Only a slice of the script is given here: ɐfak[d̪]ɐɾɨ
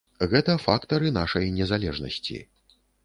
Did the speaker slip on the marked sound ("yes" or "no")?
yes